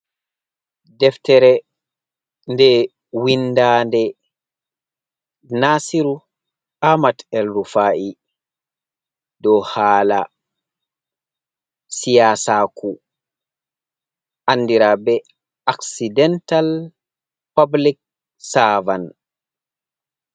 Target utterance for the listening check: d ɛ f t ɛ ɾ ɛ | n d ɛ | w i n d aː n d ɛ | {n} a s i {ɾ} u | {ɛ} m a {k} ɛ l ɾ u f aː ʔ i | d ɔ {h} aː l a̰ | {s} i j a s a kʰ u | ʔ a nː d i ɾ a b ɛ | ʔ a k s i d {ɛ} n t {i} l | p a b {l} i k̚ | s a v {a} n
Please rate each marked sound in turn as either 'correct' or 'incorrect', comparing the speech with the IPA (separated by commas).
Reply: correct, correct, incorrect, incorrect, correct, correct, correct, incorrect, correct, correct